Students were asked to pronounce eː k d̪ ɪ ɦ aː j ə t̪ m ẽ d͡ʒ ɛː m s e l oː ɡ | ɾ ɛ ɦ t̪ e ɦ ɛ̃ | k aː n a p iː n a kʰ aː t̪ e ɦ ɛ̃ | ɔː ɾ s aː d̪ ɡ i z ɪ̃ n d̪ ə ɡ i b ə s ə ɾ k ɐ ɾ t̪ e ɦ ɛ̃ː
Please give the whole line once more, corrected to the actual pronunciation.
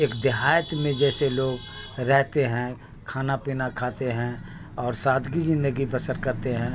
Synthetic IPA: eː k d̪ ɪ ɦ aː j ə t̪ m ẽ d͡ʒ ɛː s e l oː ɡ | ɾ ɛ ɦ t̪ e ɦ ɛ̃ | kʰ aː n a p iː n a kʰ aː t̪ e ɦ ɛ̃ | ɔː ɾ s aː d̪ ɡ i z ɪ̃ n d̪ ə ɡ i b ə s ə ɾ k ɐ ɾ t̪ e ɦ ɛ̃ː